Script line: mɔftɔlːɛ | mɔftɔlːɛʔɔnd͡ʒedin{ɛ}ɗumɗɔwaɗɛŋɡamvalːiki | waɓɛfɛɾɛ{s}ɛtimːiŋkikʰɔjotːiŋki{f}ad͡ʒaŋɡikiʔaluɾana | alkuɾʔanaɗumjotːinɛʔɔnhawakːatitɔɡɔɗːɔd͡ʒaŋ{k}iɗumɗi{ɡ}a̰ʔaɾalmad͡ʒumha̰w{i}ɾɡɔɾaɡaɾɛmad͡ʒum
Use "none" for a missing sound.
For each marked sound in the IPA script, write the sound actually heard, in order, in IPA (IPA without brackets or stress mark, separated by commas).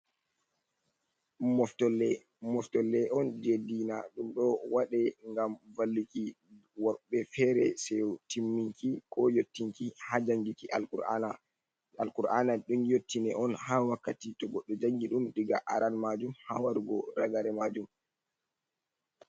a, s, h, ɡ, ɡ, a